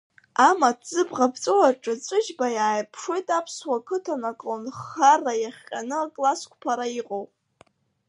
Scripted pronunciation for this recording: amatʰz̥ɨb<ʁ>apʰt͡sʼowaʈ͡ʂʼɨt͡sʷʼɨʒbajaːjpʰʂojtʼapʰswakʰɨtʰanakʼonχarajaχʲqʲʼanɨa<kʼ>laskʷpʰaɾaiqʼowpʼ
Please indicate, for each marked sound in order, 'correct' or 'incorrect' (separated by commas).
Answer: correct, correct